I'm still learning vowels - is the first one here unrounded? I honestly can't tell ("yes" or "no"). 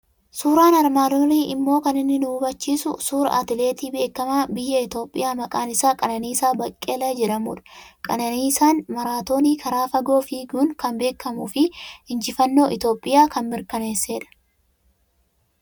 no